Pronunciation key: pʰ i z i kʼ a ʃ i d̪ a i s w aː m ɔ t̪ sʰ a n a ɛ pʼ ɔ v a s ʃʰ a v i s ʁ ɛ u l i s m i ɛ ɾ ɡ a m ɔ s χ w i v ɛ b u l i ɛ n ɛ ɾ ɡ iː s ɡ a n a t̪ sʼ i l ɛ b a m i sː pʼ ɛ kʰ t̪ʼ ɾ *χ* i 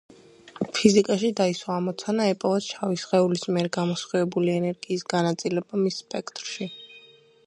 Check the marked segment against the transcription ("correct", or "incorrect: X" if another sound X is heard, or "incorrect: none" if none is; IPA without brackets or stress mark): incorrect: ʃ